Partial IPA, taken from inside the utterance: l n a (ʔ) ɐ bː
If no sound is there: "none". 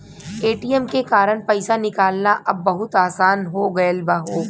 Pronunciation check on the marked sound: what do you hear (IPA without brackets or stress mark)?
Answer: ʔ